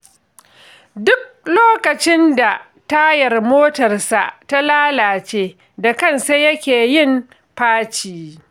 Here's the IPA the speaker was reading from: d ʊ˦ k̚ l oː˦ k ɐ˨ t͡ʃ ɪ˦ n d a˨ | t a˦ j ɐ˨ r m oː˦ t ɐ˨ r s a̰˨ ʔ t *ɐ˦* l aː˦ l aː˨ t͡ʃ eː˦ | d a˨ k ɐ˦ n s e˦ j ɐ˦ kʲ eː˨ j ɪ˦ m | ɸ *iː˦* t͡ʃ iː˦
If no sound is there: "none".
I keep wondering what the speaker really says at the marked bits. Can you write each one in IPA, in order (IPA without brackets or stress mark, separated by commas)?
a˦, aː˦